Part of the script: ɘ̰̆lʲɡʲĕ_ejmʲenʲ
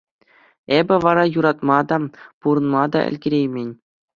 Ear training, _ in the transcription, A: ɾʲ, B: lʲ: A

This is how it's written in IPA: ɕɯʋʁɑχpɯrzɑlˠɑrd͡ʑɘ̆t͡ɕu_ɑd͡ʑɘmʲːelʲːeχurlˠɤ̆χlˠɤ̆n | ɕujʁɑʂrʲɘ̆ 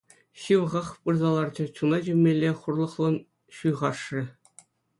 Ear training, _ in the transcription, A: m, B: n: B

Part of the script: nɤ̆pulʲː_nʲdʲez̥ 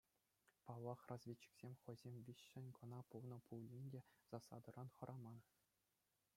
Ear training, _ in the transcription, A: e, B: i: B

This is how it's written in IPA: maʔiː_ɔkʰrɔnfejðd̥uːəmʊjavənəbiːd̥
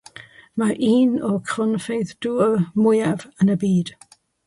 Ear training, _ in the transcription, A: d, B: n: B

